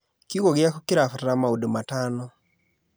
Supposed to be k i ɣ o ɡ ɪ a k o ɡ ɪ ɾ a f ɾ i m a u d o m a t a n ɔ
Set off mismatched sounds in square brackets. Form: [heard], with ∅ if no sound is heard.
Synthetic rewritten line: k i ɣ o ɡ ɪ a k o [k] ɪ ɾ a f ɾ [a] m a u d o m a t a n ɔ